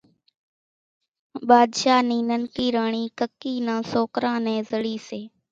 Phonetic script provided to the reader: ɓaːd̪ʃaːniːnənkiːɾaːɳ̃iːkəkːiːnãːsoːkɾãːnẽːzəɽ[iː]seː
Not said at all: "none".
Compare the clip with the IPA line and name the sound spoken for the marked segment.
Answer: iː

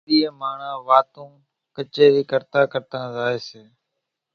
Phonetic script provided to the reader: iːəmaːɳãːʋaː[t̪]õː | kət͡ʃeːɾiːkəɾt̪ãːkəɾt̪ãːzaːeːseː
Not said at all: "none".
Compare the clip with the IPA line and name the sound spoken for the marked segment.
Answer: t̪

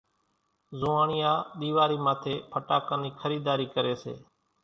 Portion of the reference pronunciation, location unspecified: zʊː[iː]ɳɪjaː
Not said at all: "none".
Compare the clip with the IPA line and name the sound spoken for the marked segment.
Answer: aː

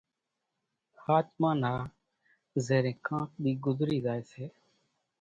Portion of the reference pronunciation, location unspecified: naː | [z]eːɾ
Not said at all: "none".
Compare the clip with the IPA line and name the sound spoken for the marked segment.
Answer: z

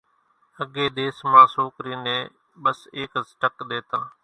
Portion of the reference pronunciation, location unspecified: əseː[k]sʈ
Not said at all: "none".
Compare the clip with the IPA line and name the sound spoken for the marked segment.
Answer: k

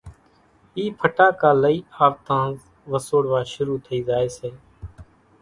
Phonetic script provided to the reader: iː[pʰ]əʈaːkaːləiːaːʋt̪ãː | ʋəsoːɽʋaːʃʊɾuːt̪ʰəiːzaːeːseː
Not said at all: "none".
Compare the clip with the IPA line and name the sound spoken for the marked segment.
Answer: pʰ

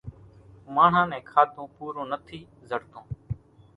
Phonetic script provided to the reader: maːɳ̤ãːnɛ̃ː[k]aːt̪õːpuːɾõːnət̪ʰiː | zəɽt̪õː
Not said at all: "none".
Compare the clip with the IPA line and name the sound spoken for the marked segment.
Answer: kʰ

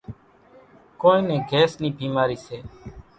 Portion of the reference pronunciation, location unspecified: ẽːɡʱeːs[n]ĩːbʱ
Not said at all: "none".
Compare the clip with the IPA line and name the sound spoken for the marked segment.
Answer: n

